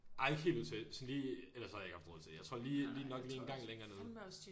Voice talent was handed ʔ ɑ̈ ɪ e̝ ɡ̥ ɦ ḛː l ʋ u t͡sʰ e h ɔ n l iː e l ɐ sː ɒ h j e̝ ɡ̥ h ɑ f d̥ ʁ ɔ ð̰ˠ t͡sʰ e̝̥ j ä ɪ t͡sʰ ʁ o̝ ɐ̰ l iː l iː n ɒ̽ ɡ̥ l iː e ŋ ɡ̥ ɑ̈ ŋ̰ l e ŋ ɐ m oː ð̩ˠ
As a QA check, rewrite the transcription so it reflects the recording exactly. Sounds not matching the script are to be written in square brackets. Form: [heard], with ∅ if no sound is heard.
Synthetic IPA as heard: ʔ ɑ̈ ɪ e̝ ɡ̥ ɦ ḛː l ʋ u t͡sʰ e [s] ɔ n l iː e l ɐ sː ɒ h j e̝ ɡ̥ h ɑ f d̥ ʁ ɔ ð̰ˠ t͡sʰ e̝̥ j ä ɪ t͡sʰ ʁ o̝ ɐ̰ l iː l iː n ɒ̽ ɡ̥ l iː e [n] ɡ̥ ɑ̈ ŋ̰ l e ŋ ɐ [n] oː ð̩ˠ

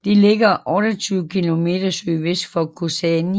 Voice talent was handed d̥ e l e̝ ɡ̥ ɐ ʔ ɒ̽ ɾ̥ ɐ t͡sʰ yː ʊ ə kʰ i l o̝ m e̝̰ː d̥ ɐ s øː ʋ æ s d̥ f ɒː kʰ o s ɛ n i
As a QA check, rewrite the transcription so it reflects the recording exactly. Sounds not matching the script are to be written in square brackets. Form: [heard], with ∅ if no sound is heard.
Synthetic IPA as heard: d̥ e l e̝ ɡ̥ ɐ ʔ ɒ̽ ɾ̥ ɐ t͡sʰ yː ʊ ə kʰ i l o̝ m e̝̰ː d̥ ɐ s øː ʋ [e] s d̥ f [ɒ] kʰ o s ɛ n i

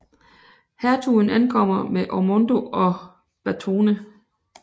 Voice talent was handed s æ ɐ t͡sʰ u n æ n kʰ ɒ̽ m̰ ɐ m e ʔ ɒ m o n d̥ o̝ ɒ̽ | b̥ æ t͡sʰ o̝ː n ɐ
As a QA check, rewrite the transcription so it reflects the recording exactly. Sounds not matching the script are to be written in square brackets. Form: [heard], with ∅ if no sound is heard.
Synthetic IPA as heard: [h] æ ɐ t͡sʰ u n æ n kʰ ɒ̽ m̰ ɐ m e ʔ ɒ m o n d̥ o̝ ɒ̽ | b̥ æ t͡sʰ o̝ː n [ə]

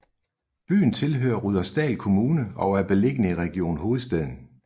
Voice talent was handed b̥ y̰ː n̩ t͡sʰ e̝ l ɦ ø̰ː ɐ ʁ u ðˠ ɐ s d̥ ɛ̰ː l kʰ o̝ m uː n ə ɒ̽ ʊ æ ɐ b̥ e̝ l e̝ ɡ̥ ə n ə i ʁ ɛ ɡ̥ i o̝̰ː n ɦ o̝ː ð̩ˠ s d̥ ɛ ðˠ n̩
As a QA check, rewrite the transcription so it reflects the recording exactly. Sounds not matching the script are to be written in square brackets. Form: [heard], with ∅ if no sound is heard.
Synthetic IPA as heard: b̥ y̰ː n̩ t͡sʰ e̝ l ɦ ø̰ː ɐ ʁ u ðˠ ɐ s d̥ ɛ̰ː l kʰ o̝ m uː n ə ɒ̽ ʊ æ ɐ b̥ e̝ l e̝ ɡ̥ ə n ə i ʁ ɛ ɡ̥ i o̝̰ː n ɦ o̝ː ð̩ˠ s d̥ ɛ ðˠ n̩

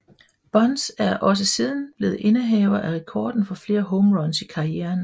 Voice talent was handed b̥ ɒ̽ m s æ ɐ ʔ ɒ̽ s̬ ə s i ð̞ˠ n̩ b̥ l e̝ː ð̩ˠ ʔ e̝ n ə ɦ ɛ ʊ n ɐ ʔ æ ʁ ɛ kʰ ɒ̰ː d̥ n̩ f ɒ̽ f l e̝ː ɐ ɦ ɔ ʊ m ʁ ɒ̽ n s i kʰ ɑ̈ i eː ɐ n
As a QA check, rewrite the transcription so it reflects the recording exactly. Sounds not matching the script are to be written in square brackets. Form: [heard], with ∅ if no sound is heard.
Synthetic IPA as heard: b̥ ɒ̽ [n] s æ ɐ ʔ ɒ̽ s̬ ə s i ð̞ˠ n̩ b̥ l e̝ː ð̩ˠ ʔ e̝ n ə ɦ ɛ ʊ [∅] ɐ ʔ æ ʁ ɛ kʰ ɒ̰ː d̥ n̩ f ɒ̽ f l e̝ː ɐ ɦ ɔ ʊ m ʁ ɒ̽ n s i kʰ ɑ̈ i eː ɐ n

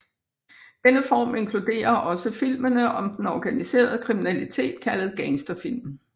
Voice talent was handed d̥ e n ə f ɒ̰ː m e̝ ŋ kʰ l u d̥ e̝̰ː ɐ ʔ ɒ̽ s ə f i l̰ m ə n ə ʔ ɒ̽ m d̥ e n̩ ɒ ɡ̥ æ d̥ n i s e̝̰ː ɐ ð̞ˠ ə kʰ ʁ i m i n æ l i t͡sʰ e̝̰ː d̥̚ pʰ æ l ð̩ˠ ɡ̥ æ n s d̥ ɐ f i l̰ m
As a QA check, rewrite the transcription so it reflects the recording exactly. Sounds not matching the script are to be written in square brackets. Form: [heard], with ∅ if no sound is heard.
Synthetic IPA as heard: d̥ e n ə f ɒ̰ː m e̝ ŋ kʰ l u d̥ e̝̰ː ɐ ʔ ɒ̽ s ə f i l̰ m ə n ə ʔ ɒ̽ m d̥ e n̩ ɒ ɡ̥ æ [∅] n i s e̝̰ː ɐ ð̞ˠ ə kʰ ʁ i m i n æ l i t͡sʰ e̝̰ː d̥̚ [kʰ] æ l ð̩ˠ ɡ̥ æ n s d̥ ɐ f i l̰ m

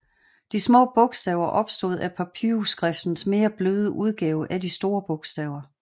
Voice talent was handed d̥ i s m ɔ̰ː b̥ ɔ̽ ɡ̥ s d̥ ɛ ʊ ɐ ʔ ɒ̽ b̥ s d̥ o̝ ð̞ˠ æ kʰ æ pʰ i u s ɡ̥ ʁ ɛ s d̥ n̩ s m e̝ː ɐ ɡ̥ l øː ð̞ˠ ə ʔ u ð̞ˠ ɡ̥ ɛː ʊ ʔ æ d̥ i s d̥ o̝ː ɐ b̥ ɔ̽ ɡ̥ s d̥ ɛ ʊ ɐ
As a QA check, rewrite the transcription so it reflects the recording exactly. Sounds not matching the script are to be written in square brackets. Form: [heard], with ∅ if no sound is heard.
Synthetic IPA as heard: d̥ i s m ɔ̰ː b̥ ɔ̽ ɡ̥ s d̥ ɛ ʊ ɐ ʔ ɒ̽ b̥ s d̥ o̝ ð̞ˠ æ [pʰ] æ pʰ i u s ɡ̥ ʁ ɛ [f] d̥ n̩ s m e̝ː ɐ [b̥] l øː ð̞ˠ ə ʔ u ð̞ˠ ɡ̥ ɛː ʊ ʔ æ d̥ i s d̥ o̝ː ɐ b̥ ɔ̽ ɡ̥ s d̥ ɛ ʊ ɐ

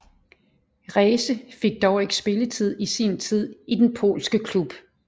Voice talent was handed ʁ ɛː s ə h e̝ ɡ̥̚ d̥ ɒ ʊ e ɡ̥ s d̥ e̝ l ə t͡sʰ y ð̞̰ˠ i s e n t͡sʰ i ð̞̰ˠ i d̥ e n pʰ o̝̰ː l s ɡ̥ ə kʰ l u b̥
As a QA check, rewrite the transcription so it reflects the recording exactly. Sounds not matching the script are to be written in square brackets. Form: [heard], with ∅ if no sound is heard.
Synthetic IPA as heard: ʁ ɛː s ə [f] e̝ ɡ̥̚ d̥ ɒ ʊ e ɡ̥ s [b̥] e̝ l ə t͡sʰ [i] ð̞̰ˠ i s [i] n t͡sʰ i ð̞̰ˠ i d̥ e n pʰ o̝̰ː l s ɡ̥ ə kʰ l u b̥

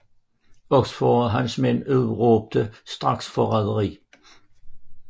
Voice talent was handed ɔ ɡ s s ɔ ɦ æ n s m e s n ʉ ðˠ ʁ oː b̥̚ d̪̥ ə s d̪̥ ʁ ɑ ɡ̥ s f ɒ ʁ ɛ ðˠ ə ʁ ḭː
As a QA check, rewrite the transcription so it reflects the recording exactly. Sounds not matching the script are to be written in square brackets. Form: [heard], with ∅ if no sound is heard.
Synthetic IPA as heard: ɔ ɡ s [f] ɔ ɦ æ n s m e [∅] n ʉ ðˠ ʁ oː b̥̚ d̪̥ ə s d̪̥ ʁ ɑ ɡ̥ s f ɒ ʁ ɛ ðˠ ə ʁ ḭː

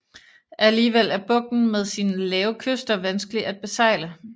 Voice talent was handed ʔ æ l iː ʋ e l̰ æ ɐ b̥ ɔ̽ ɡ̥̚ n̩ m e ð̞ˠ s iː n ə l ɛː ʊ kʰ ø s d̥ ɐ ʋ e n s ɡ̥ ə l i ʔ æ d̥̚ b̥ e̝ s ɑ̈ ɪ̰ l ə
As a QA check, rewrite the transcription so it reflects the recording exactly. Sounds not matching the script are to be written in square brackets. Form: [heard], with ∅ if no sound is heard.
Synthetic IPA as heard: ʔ æ l iː ʋ e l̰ æ ɐ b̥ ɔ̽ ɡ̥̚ n̩ m e ð̞ˠ s iː n ə l ɛː ʊ kʰ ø s d̥ ɐ ʋ [æ] n s ɡ̥ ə l i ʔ æ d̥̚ b̥ e̝ s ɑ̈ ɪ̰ l ə

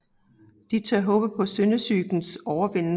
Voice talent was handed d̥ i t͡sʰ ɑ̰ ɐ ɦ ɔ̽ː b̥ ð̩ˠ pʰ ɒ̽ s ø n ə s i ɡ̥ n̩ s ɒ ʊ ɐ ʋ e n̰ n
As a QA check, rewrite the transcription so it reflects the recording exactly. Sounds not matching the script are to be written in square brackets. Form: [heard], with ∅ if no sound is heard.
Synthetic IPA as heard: d̥ i t͡sʰ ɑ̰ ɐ ɦ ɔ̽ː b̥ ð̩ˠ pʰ ɒ̽ s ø n ə s [y] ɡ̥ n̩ s ɒ ʊ ɐ ʋ e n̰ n

